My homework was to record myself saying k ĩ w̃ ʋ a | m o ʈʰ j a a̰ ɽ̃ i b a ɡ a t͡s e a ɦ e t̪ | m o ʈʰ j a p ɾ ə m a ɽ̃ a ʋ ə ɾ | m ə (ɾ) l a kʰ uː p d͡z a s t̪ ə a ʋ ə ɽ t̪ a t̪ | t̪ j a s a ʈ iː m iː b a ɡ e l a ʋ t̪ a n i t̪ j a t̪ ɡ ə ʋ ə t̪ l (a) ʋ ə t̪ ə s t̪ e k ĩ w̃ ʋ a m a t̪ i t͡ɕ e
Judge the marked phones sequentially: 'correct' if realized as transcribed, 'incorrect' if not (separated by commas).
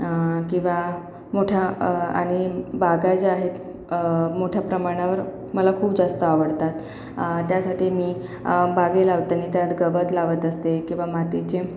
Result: incorrect, correct